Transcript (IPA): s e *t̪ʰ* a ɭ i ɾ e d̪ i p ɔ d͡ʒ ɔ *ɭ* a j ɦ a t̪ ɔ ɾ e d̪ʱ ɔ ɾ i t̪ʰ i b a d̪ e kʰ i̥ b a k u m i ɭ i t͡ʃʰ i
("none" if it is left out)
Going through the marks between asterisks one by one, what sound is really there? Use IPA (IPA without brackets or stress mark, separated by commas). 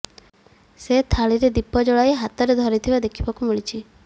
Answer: t̪ʰ, ɭ